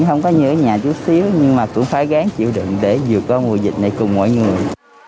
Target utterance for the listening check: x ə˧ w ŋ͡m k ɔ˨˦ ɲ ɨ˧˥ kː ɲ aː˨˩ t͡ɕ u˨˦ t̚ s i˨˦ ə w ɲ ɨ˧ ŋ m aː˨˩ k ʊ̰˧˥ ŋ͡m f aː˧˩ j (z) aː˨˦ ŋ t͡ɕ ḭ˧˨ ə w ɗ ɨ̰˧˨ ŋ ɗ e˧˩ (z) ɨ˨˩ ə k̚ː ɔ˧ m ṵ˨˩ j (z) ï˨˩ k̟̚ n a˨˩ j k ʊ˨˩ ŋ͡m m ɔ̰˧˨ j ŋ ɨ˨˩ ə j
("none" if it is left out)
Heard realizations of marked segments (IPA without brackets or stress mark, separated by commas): ɣ, z, z